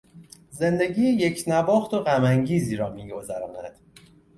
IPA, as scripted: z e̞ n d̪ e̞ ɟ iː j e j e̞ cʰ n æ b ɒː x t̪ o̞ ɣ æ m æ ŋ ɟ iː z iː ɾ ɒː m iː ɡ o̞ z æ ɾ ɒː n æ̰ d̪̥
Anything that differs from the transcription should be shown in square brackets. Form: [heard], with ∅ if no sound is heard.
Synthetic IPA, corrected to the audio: z e̞ n d̪ e̞ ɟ iː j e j e̞ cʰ n æ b ɒː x t̪ o̞ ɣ æ m æ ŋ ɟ iː z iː ɾ ɒː m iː ɡ o̞ z æ ɾ ɒː n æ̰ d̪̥